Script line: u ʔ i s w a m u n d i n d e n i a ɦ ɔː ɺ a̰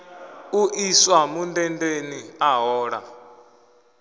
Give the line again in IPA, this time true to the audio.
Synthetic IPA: u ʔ i s w a m u n d ɛ n d e n i a ɦ ɔː ɺ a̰